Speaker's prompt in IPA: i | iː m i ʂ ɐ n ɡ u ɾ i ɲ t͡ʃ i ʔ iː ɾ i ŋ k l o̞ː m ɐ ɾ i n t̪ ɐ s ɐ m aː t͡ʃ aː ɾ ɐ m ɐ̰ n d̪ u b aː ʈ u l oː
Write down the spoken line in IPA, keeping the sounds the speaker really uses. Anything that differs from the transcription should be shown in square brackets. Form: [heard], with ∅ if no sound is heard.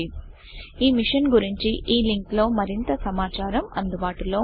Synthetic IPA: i | iː m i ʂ ɐ n ɡ u ɾ i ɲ t͡ʃ i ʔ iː [l] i ŋ k l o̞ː m ɐ ɾ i n t̪ ɐ s ɐ m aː t͡ʃ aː ɾ ɐ m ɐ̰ n d̪ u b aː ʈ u l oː